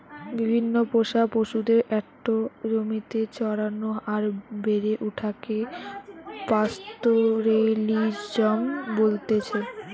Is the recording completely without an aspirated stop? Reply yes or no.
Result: no